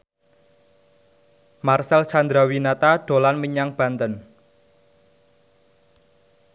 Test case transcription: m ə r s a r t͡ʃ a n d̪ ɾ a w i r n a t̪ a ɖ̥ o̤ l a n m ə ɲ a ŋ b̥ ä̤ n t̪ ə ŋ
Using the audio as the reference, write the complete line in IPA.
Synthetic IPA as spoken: m a r s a l t͡ʃ a n d̪ ɾ a w i n a t̪ a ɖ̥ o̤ l a n m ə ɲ a ŋ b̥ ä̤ n t̪ ə n